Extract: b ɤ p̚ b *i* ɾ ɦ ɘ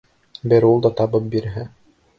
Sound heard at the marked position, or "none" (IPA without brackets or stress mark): i